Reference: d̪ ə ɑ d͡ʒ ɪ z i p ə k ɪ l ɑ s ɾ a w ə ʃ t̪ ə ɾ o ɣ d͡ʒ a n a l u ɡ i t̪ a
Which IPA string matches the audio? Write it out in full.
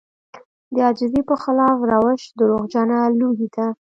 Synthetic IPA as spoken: d̪ ə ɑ d͡ʒ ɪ z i p ə x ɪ l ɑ f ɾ a w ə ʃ d̪ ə ɾ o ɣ d͡ʒ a n a l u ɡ i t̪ a